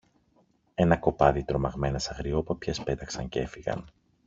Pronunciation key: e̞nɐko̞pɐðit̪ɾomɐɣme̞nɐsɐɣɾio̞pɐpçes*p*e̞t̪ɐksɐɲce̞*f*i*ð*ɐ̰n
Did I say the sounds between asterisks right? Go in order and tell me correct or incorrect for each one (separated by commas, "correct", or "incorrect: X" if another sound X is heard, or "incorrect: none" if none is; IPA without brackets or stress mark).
correct, correct, incorrect: ɣ